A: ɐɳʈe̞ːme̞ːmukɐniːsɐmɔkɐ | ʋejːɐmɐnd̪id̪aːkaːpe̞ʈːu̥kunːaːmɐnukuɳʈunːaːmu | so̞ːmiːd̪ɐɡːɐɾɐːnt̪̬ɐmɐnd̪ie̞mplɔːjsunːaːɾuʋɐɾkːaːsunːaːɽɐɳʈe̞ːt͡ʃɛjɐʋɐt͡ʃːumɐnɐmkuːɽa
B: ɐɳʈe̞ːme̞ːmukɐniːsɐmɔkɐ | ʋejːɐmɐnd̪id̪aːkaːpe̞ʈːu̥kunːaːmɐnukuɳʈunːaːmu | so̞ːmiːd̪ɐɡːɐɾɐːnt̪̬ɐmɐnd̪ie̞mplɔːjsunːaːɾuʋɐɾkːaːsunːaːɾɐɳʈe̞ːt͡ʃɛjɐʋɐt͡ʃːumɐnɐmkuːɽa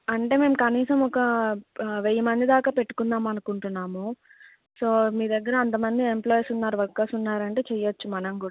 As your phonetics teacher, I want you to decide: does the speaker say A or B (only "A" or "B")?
B